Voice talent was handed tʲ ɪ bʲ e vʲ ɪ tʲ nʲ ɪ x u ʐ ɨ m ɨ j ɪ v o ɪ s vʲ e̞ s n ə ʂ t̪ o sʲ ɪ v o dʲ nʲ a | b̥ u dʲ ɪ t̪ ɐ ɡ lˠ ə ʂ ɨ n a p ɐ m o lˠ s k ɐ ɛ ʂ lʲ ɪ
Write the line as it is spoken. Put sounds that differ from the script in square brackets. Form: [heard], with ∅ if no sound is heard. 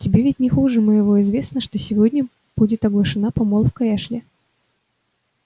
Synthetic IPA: tʲ ɪ bʲ e vʲ ɪ tʲ nʲ ɪ x u ʐ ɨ m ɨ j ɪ v o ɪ [z] vʲ e̞ s n ə ʂ t̪ o sʲ ɪ v o dʲ nʲ [ə] | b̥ u dʲ ɪ t̪ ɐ ɡ lˠ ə ʂ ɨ n a p ɐ m o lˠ [f] k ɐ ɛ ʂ lʲ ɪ